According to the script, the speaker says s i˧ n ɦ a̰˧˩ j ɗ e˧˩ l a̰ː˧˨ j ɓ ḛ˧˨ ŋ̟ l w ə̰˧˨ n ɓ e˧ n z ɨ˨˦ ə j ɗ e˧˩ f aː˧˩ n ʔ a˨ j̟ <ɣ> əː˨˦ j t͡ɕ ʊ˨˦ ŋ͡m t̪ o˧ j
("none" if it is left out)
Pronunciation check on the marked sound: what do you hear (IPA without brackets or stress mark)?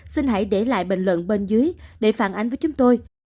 v